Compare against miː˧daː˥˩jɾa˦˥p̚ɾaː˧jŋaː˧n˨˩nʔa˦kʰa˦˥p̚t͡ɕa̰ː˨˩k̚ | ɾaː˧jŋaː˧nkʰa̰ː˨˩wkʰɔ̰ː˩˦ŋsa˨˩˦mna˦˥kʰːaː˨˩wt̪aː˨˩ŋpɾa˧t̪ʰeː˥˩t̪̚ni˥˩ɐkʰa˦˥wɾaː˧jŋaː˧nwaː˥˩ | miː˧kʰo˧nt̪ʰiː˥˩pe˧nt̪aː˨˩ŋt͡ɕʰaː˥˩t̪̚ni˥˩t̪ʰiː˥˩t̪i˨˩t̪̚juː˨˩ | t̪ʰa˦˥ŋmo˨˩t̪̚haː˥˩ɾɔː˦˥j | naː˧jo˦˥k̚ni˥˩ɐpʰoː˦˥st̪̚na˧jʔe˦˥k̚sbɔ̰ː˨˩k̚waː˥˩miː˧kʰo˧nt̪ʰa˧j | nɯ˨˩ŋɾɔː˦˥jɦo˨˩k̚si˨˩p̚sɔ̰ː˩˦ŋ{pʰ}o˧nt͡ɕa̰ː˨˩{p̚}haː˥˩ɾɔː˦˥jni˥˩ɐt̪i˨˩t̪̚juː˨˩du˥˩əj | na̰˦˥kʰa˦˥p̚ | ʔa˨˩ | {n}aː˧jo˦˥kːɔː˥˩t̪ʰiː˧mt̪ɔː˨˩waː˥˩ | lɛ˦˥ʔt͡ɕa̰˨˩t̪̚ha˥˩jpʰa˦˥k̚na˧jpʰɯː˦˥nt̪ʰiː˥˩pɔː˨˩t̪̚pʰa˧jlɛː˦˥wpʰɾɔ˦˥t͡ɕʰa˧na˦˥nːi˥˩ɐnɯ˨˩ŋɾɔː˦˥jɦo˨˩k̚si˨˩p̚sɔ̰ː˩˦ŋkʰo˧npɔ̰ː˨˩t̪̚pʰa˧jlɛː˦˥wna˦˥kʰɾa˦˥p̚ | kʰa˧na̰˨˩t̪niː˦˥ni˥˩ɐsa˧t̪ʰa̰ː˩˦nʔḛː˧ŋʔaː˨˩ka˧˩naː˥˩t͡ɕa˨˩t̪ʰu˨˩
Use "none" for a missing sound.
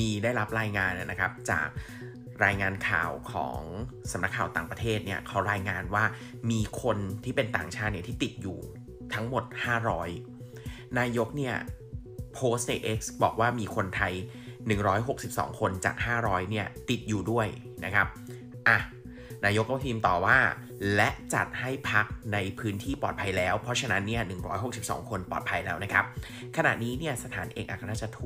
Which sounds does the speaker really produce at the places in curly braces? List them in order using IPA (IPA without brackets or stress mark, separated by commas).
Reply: kʰ, k̚, n